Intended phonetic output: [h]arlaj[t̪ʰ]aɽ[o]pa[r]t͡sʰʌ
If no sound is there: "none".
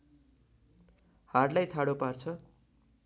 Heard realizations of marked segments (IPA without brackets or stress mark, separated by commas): h, t̪ʰ, o, r